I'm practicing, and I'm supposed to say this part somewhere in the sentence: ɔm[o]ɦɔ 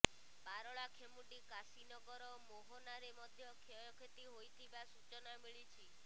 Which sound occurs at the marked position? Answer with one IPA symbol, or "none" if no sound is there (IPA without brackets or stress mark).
o